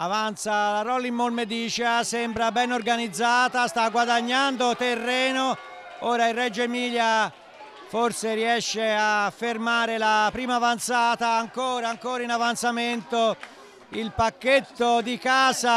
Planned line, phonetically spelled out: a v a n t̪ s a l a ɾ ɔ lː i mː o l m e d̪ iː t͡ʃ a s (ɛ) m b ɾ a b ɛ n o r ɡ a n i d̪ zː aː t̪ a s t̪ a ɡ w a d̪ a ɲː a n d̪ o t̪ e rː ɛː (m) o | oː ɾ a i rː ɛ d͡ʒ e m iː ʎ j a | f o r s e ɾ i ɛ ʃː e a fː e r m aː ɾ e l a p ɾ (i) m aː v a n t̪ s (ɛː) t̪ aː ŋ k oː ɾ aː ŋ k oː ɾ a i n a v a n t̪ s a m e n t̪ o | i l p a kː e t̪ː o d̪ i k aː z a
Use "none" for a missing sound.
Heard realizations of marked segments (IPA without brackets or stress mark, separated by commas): ɛ, n, iː, aː